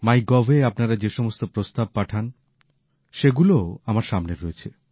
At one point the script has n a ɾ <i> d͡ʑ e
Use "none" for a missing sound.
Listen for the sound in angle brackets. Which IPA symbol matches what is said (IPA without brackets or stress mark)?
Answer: a